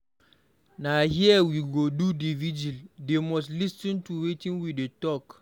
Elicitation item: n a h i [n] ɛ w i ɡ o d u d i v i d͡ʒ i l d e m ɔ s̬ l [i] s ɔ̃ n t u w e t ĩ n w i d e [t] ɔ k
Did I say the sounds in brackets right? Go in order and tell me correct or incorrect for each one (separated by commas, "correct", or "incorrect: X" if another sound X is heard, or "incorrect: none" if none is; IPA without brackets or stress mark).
incorrect: none, correct, correct